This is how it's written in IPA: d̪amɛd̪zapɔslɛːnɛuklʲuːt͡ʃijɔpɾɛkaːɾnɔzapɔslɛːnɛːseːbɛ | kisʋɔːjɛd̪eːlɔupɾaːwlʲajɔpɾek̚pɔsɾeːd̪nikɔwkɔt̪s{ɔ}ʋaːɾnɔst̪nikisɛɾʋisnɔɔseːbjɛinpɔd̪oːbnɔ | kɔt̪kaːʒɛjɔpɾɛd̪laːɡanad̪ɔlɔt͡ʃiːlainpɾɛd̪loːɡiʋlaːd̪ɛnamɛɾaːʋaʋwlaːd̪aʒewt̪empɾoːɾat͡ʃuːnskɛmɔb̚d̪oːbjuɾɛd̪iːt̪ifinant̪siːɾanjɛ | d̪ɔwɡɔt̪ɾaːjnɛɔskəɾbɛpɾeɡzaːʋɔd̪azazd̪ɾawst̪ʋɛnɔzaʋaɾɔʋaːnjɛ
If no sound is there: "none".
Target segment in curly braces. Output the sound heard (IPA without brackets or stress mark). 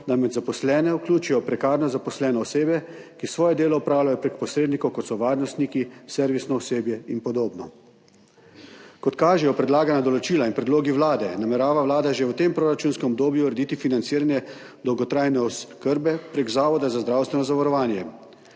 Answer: ɔ